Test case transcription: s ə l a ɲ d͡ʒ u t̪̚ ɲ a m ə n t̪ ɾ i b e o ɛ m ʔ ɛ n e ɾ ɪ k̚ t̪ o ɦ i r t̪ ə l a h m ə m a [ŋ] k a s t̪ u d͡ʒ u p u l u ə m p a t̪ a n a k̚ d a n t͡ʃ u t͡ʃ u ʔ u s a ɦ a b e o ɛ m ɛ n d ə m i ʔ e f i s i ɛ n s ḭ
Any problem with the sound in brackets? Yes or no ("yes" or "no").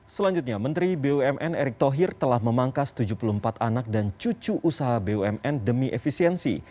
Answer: no